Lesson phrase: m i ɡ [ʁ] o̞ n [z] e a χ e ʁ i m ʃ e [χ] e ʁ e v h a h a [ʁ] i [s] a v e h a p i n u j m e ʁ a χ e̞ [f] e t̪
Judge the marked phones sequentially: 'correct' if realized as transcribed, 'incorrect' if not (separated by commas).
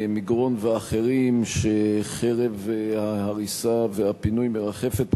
correct, incorrect, correct, correct, correct, correct